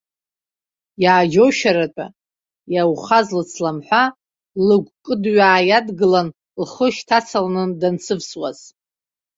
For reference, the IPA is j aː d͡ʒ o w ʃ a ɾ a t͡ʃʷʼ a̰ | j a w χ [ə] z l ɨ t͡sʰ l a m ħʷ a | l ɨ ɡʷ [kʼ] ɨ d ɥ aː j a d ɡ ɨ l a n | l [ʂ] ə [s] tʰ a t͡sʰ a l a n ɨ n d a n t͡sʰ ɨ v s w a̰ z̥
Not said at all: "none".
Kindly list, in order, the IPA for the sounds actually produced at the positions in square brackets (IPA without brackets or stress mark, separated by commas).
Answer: a, kʼ, χ, ʃ